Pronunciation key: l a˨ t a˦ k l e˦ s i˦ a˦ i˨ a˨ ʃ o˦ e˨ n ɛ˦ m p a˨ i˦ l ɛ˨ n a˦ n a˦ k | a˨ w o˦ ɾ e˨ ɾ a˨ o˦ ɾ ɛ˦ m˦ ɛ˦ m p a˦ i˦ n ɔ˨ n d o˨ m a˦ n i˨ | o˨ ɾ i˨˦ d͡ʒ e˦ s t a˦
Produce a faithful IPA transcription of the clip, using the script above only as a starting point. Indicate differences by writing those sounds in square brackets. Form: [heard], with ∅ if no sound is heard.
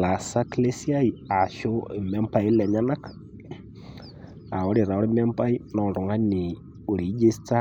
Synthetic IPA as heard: l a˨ [s] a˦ k l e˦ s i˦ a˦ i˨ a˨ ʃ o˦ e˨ [m] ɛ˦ m p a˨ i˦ l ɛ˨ [ɲ] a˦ n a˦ k | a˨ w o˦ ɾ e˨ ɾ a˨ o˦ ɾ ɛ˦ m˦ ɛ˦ m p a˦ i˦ n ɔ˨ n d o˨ [ŋ] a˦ n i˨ | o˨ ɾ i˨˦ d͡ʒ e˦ s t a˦